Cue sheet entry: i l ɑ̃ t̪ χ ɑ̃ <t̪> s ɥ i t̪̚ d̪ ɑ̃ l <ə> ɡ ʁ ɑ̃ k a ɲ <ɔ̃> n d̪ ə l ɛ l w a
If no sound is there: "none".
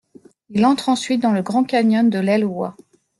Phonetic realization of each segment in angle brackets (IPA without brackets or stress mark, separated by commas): none, ə, ɔ